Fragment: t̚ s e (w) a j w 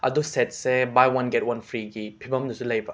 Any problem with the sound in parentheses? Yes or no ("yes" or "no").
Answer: yes